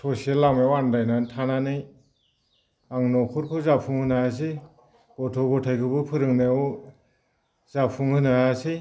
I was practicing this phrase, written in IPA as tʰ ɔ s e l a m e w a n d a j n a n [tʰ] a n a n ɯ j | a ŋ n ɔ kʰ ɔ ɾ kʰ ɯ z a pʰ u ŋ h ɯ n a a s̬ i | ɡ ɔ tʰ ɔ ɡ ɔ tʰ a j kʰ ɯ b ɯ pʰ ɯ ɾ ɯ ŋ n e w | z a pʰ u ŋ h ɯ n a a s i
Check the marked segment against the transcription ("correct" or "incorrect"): correct